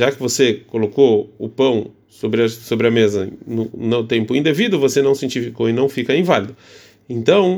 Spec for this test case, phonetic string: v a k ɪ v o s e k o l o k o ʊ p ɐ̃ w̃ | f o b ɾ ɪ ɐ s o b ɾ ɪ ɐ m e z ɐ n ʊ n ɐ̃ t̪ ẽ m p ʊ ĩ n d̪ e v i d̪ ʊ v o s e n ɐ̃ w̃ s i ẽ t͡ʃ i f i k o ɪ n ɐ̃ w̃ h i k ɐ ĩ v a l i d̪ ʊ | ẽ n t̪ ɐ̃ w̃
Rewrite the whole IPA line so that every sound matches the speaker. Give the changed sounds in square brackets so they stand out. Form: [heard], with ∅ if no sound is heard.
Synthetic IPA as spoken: [ʒ] a k ɪ v o s e k o l o k o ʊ p ɐ̃ w̃ | [s] o b ɾ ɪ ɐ s o b ɾ ɪ ɐ m e z ɐ n ʊ n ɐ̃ t̪ ẽ m p ʊ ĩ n d̪ e v i d̪ ʊ v o s e n ɐ̃ w̃ s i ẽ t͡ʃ i f i k o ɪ n ɐ̃ w̃ [f] i k ɐ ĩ v a l i d̪ ʊ | ẽ n t̪ ɐ̃ w̃